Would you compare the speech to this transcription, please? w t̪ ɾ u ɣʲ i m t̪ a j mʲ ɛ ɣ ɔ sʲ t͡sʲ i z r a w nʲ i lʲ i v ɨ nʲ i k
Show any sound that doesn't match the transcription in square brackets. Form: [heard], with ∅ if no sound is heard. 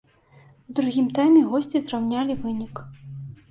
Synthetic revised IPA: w [d̪] ɾ u ɣʲ i m t̪ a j mʲ ɛ ɣ ɔ sʲ t͡sʲ i z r a w nʲ [a] lʲ i v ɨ nʲ i k

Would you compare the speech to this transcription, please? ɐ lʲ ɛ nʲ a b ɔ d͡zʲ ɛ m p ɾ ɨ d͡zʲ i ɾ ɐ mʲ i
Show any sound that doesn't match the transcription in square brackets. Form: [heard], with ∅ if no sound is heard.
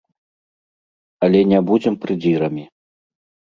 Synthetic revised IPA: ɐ lʲ ɛ nʲ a b [u] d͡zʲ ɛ m p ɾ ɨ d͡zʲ i ɾ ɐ mʲ i

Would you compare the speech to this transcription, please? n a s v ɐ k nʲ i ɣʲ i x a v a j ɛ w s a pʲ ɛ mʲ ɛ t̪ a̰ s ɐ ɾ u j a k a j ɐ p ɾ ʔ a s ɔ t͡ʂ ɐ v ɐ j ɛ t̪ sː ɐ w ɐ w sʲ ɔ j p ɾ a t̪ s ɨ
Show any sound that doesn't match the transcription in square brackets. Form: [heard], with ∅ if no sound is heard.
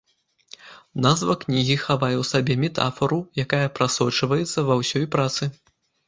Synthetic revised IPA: n a [z] v ɐ k nʲ i ɣʲ i x a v a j ɛ w s a [bʲ] ɛ mʲ ɛ t̪ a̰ [f] ɐ ɾ u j a k a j ɐ p ɾ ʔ a s ɔ t͡ʂ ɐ v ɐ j ɛ t̪ sː ɐ [v] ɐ w sʲ ɔ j p ɾ a t̪ s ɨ

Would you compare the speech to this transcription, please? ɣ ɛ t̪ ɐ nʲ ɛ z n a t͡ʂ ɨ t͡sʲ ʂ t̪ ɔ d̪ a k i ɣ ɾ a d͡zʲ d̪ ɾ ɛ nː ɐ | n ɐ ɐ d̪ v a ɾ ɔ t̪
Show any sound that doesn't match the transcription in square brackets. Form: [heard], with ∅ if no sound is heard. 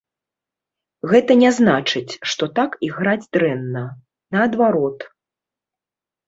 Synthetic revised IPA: ɣ ɛ t̪ ɐ nʲ ɛ z n a t͡ʂ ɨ t͡sʲ ʂ t̪ ɔ [t̪] a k i ɣ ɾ a d͡zʲ d̪ ɾ ɛ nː ɐ | n ɐ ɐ d̪ v a ɾ ɔ t̪

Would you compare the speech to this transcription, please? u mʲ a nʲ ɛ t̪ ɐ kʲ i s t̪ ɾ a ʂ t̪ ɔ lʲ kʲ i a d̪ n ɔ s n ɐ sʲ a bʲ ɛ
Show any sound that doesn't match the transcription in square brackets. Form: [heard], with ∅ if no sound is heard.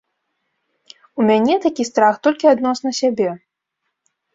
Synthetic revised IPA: u mʲ a nʲ ɛ t̪ [a] kʲ i s t̪ ɾ a [x] t̪ ɔ lʲ kʲ i a d̪ n ɔ s n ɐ sʲ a bʲ ɛ

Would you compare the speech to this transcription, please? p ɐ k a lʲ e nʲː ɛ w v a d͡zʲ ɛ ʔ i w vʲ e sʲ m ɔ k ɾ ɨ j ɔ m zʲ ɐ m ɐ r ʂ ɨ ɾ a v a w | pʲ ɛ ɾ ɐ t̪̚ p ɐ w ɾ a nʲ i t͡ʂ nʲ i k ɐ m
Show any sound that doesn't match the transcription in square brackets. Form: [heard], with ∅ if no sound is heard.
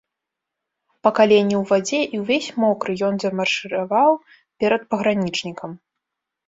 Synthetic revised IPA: p ɐ k a lʲ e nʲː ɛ w v a d͡zʲ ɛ ʔ i w vʲ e sʲ m ɔ k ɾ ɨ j ɔ [n] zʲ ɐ m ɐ r ʂ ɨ ɾ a v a w | pʲ ɛ ɾ ɐ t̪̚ p ɐ [ɣ] ɾ a nʲ i t͡ʂ nʲ i k ɐ m

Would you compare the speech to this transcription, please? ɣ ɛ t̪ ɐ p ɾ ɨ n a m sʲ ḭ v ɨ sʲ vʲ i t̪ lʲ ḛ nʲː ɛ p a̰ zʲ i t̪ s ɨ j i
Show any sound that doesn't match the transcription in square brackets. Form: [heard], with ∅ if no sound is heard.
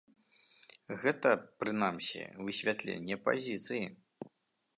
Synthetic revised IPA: ɣ ɛ t̪ ɐ p ɾ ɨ n a m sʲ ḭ v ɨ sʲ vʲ [a] t̪ lʲ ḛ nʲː ɛ p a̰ zʲ i t̪ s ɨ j i

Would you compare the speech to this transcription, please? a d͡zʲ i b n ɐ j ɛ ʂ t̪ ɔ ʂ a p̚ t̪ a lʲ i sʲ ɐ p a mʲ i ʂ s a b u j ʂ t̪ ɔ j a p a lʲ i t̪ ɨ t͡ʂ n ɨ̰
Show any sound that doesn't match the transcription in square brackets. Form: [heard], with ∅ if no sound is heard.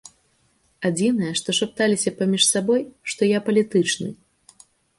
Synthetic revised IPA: a d͡zʲ i [∅] n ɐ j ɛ ʂ t̪ ɔ ʂ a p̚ t̪ a lʲ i sʲ ɐ p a mʲ i ʂ s a b [ɔ] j ʂ t̪ ɔ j a p [ɐ] lʲ i t̪ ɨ t͡ʂ n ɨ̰

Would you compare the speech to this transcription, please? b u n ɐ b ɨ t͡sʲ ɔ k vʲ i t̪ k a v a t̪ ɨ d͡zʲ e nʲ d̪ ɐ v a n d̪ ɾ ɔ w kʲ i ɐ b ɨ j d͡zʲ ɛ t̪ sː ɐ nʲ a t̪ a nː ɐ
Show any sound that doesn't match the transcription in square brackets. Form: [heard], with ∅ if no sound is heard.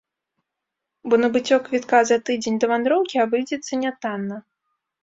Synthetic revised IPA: b [ɔ] n ɐ b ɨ t͡sʲ ɔ k vʲ i t̪ k a [z] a t̪ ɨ d͡zʲ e nʲ d̪ ɐ v a n d̪ ɾ ɔ w kʲ i [a] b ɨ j d͡zʲ ɛ t̪ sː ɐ nʲ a t̪ a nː ɐ

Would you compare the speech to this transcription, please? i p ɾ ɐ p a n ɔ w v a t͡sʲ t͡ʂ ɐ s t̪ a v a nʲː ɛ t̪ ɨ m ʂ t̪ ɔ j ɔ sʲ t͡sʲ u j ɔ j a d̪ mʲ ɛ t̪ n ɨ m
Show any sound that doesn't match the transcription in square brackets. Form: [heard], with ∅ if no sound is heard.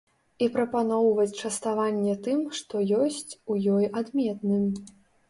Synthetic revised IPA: i p ɾ ɐ p a n ɔ w v [ɐ] t͡sʲ t͡ʂ ɐ s t̪ a v a nʲː ɛ t̪ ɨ m ʂ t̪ ɔ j ɔ sʲ t͡sʲ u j ɔ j a d̪ mʲ ɛ t̪ n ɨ m

